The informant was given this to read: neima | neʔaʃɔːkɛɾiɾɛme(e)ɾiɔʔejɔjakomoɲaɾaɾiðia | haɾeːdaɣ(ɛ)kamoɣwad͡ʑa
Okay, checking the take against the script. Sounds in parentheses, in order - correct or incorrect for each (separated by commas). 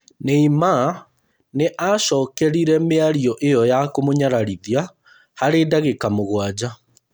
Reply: incorrect, incorrect